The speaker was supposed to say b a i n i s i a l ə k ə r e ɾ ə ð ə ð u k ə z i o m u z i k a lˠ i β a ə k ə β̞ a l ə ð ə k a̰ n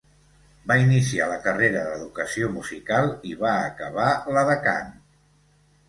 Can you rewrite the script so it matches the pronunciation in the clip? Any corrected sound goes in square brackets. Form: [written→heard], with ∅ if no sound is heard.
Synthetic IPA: b a i n i s i a l ə k ə r e ɾ ə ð ə ð u k ə [z→s] i o m u z i k a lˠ i β a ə k ə β̞ a l ə ð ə k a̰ n

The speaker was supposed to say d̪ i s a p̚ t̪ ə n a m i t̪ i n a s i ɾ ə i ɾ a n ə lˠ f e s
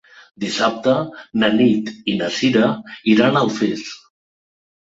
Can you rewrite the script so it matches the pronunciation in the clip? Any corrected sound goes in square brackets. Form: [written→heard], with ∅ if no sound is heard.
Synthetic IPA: d̪ i s a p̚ t̪ ə n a [m→n] i t̪ i n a s i ɾ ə i ɾ a n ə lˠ f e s

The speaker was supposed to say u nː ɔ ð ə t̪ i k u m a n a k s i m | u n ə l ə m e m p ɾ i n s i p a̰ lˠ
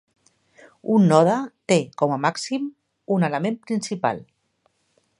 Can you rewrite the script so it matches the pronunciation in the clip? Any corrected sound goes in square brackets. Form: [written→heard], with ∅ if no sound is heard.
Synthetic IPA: u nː ɔ ð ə t̪ [i→e] k [u→ɔ] m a [n→m] a k s i m | u n ə l ə m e m p ɾ i n s i p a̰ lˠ

